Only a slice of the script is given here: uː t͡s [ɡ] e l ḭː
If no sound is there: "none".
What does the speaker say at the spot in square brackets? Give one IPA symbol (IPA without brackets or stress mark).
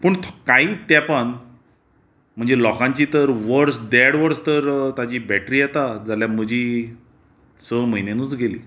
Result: ɡ